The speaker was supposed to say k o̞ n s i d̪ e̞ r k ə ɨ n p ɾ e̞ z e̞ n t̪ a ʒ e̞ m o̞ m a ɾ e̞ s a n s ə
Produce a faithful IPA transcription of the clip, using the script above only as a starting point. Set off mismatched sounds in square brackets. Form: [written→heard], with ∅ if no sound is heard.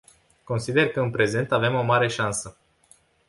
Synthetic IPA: k o̞ n s i d̪ e̞ r k ə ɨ n p ɾ e̞ z e̞ n t̪ a [ʒ→v] e̞ m o̞ m a ɾ e̞ [s→ʃ] a n s ə